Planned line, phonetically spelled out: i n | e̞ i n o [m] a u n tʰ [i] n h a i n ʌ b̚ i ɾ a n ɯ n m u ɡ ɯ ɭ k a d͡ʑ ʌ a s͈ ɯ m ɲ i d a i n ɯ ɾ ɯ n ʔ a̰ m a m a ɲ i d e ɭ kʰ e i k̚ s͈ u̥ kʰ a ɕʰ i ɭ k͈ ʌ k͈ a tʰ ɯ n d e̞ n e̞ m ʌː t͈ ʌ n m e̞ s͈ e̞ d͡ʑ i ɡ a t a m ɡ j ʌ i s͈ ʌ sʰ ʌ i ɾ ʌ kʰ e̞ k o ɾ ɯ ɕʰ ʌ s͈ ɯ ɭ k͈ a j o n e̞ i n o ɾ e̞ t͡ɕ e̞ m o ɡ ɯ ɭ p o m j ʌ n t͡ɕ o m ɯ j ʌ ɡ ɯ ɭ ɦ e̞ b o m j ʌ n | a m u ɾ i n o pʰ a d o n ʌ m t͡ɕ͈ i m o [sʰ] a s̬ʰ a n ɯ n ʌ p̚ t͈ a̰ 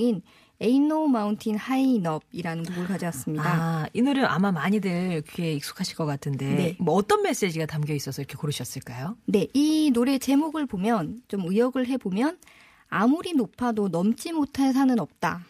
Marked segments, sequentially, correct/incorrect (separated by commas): correct, correct, incorrect